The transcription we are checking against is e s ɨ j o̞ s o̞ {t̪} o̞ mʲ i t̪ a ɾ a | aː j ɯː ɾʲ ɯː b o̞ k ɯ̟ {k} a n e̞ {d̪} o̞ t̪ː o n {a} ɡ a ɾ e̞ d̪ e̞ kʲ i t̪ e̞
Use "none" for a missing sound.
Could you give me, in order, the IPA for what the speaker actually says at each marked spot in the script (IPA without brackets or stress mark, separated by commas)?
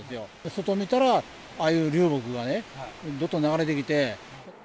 t̪, ɡ, d̪, a